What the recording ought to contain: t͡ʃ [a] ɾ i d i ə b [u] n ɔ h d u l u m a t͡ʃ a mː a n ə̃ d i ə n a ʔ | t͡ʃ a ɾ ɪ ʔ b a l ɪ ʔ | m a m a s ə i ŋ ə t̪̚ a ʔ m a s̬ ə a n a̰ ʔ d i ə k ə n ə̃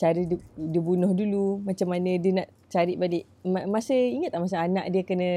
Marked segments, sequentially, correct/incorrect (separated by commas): correct, correct